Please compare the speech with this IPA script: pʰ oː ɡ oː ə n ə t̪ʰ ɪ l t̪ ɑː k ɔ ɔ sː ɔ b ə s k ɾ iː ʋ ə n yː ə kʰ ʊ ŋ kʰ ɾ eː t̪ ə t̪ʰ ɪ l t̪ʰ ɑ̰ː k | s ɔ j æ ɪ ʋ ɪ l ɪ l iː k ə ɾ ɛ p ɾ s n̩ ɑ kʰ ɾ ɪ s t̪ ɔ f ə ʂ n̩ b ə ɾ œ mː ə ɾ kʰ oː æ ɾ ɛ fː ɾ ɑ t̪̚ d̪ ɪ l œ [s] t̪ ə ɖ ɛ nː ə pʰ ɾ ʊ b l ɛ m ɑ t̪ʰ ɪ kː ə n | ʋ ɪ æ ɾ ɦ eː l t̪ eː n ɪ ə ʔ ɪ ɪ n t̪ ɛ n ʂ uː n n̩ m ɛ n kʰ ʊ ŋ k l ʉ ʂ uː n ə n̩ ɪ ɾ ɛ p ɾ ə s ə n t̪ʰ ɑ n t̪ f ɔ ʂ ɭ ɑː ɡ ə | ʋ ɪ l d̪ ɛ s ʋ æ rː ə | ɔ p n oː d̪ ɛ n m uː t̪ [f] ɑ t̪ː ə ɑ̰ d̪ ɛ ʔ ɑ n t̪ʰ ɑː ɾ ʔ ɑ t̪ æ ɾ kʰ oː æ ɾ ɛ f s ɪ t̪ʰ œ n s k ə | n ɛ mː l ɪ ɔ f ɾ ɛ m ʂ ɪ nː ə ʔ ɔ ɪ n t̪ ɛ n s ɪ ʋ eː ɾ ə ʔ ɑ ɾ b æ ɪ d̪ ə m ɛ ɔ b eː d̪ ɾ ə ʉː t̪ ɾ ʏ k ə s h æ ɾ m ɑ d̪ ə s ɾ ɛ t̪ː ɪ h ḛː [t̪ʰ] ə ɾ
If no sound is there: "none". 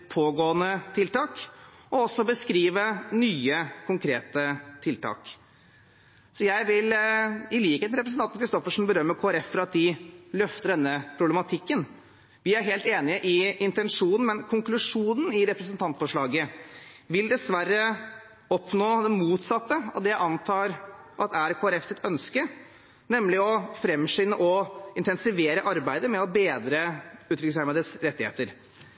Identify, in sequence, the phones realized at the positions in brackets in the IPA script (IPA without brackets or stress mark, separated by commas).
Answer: f, s, t̪